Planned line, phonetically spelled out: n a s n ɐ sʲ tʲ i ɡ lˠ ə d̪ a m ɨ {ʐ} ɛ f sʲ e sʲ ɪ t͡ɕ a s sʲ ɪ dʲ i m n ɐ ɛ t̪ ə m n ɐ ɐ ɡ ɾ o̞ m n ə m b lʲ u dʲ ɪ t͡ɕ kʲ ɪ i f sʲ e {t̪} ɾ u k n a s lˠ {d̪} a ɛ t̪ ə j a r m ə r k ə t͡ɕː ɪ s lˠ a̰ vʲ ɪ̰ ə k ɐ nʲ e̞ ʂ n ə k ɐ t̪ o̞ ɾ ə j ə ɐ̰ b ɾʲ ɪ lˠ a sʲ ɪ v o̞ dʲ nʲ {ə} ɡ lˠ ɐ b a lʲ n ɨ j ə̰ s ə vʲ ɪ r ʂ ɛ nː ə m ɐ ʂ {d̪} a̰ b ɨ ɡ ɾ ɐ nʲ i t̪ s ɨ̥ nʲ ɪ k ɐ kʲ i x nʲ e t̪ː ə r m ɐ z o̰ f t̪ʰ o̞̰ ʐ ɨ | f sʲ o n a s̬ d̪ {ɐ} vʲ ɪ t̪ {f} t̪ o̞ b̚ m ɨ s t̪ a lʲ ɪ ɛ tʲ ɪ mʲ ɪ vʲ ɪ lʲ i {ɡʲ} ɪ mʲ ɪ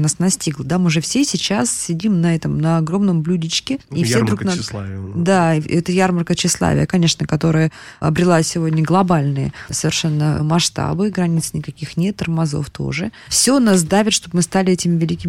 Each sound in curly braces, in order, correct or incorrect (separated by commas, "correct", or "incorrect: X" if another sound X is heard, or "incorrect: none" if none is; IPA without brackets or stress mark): correct, incorrect: d̪, correct, correct, incorrect: t̪, incorrect: a, incorrect: ʂ, incorrect: kʲ